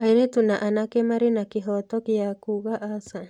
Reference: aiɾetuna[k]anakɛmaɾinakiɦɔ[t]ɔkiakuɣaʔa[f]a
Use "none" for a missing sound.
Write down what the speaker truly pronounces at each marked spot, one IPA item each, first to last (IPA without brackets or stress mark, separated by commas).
ʔ, t, s